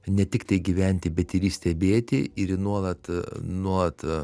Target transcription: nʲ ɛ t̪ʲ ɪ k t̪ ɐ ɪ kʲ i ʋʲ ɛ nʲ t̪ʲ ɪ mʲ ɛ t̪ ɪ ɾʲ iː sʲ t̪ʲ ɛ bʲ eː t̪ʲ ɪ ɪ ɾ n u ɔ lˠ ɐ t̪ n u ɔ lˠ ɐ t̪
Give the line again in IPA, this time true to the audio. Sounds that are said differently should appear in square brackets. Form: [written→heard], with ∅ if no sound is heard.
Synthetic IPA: nʲ ɛ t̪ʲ ɪ k t̪ ɐ ɪ [kʲ→ɡʲ] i ʋʲ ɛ nʲ t̪ʲ ɪ [mʲ→bʲ] ɛ t̪ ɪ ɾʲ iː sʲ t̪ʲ ɛ bʲ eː t̪ʲ ɪ ɪ ɾ n u ɔ lˠ ɐ t̪ n u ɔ lˠ ɐ t̪

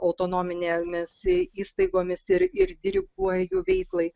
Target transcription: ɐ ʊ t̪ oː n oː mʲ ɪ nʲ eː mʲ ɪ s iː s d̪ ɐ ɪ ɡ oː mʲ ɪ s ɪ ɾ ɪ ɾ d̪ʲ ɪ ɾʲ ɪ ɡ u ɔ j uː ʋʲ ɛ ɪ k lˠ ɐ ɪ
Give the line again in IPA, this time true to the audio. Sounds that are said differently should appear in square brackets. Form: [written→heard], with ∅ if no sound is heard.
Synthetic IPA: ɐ ʊ t̪ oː n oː mʲ ɪ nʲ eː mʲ ɪ s iː s [d̪→t̪] ɐ ɪ ɡ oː mʲ ɪ s ɪ ɾ ɪ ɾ d̪ʲ ɪ ɾʲ ɪ ɡ u ɔ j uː ʋʲ ɛ ɪ k lˠ ɐ ɪ

